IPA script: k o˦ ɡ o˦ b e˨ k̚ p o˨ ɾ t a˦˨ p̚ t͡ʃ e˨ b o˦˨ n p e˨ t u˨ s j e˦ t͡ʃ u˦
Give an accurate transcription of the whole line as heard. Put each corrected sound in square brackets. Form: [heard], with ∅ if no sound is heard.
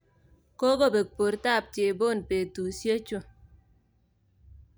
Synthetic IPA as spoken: k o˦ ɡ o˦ b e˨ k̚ p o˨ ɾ t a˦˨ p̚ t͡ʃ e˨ b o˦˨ n p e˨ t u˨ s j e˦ t͡ʃ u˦